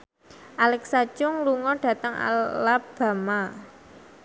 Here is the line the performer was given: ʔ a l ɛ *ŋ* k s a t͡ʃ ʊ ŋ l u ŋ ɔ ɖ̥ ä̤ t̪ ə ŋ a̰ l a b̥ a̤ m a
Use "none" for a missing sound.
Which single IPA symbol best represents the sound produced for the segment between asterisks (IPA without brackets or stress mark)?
none